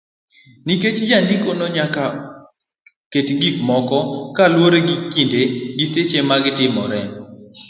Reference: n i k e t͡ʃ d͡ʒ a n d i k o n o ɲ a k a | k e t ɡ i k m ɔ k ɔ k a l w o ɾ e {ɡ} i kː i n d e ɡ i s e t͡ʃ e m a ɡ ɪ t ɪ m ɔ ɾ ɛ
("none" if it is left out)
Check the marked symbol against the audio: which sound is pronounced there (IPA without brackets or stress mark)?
ɡ